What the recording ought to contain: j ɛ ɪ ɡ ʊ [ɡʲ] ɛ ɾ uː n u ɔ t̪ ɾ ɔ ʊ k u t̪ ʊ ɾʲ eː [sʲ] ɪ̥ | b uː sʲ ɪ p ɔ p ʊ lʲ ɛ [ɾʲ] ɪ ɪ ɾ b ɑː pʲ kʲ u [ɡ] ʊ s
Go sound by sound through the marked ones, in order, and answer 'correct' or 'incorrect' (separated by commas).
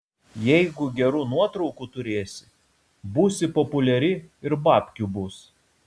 correct, correct, correct, incorrect